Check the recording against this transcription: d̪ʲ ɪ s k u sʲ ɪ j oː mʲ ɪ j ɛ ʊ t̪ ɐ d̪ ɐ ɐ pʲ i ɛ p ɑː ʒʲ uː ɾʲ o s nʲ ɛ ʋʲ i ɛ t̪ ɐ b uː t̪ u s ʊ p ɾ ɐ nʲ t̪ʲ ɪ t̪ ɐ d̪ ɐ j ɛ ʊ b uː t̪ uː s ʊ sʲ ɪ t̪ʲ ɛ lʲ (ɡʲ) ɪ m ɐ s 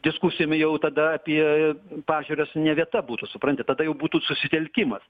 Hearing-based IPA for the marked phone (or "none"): kʲ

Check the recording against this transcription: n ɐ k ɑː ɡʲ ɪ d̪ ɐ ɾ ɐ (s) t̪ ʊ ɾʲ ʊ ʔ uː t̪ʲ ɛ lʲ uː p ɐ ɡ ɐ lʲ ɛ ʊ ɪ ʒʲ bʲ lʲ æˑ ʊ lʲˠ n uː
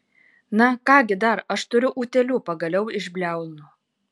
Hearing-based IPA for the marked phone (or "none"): ʃ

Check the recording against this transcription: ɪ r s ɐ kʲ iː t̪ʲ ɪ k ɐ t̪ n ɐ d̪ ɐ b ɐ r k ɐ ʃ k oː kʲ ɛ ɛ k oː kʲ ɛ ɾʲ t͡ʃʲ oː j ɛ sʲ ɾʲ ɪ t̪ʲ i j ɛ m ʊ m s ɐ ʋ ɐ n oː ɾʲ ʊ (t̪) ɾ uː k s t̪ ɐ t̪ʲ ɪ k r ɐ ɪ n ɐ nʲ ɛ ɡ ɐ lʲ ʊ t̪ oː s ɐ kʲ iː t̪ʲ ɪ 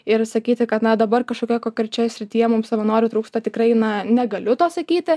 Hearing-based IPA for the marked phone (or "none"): t̪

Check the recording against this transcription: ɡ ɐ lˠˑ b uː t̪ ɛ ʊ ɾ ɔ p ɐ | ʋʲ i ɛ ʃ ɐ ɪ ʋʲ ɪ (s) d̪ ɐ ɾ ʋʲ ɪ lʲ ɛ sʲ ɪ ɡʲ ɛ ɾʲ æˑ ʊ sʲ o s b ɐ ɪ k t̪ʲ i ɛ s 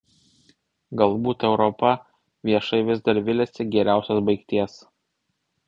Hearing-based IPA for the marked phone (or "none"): z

